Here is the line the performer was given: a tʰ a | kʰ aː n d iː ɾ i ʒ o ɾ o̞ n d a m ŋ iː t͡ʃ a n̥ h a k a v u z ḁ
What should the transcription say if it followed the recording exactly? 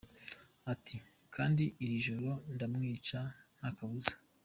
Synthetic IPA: a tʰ i | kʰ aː n d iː ɾ i ʒ o ɾ o̞ n d a m ŋ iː t͡ʃ a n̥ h a k a β u z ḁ